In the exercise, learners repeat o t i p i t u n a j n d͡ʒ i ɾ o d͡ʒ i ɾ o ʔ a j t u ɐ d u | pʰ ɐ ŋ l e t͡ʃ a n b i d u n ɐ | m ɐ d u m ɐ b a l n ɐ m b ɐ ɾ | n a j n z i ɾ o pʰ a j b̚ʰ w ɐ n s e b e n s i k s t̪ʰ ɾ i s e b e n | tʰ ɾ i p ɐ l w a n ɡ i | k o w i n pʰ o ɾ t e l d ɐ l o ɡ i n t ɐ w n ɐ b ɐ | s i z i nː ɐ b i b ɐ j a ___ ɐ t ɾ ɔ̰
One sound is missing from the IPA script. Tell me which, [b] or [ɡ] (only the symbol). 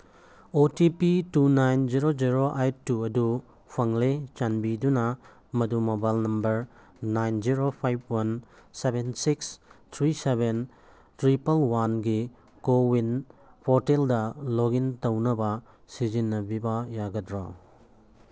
ɡ